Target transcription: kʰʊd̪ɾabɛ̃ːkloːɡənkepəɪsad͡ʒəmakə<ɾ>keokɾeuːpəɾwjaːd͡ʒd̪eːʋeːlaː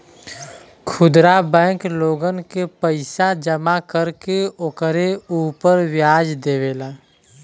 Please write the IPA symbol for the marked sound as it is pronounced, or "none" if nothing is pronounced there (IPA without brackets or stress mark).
ɾ